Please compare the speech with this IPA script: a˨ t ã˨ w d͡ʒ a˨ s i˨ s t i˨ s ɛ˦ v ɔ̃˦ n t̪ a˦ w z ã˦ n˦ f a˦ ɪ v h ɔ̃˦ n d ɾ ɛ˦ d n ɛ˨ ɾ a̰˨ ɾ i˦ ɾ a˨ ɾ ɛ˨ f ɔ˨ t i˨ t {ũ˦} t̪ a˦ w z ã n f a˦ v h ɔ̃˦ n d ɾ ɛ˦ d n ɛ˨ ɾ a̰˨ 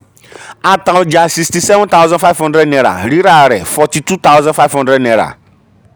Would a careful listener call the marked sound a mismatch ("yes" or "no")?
yes